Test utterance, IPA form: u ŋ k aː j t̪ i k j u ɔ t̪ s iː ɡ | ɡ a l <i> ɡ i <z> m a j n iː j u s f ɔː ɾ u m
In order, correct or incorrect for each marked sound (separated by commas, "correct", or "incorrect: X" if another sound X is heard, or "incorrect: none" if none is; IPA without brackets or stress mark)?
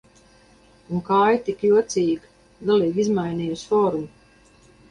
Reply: incorrect: iː, correct